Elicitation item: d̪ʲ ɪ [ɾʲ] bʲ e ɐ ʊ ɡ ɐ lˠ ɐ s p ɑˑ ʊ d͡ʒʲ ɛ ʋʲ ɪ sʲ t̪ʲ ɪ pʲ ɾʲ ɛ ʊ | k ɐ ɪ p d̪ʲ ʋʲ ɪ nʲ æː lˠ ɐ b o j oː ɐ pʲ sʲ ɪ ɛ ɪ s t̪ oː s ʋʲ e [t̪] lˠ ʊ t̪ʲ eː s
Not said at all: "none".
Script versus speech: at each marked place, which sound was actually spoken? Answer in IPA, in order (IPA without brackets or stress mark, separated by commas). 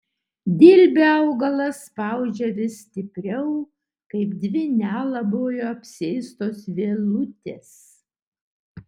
lʲ, none